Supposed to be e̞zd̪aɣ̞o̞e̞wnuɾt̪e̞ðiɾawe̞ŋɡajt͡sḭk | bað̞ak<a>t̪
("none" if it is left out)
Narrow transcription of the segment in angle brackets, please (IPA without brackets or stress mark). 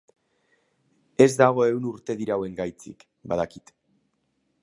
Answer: i